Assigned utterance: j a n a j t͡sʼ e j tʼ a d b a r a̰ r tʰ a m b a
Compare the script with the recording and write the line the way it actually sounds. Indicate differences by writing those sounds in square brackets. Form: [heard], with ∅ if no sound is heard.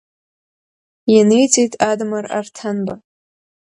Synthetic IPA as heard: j a n [e] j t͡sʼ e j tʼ a d [m] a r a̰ r tʰ a [n] b a